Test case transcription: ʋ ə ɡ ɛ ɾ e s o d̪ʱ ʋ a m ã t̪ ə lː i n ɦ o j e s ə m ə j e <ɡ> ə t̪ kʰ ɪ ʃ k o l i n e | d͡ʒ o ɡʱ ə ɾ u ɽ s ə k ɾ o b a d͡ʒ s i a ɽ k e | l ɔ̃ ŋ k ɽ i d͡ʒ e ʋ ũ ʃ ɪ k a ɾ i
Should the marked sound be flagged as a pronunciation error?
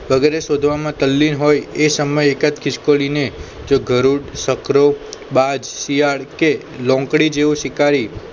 yes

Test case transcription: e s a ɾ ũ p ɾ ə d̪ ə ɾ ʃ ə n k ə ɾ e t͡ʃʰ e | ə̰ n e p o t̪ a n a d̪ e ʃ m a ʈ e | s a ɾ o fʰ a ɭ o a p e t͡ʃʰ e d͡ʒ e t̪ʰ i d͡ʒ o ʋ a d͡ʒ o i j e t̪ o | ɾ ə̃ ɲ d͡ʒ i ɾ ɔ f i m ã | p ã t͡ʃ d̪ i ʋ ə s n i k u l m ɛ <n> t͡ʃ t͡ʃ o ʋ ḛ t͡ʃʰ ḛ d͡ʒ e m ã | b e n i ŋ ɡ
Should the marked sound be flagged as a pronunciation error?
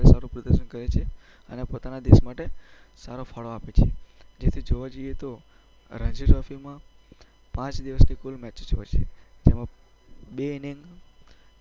yes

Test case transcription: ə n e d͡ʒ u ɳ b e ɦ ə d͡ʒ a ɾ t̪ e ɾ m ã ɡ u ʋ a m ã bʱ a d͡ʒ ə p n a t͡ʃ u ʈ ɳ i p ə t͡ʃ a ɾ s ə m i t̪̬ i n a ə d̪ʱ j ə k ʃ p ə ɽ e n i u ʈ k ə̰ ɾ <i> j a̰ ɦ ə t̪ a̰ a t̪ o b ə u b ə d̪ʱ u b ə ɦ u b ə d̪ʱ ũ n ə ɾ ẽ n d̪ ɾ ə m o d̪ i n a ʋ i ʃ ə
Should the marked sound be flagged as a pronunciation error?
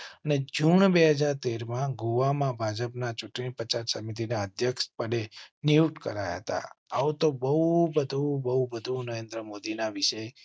yes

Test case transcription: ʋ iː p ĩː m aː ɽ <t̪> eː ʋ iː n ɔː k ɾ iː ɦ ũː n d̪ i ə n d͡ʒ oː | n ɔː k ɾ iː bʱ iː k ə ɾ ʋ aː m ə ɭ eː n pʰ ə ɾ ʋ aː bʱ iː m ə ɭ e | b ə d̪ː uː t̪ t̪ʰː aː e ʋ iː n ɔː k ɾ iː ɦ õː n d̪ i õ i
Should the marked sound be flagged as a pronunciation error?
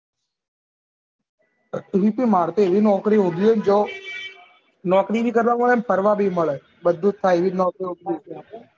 no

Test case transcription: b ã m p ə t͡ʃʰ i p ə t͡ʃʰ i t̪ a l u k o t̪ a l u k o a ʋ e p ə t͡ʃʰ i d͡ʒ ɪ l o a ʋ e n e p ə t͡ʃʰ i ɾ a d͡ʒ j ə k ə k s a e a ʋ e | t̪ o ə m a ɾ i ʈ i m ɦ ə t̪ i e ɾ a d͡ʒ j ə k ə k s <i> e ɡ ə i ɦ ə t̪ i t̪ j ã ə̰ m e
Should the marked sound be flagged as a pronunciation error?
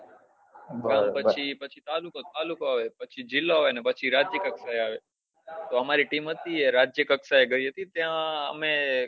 yes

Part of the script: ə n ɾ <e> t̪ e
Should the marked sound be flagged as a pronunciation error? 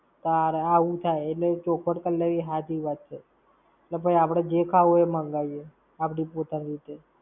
yes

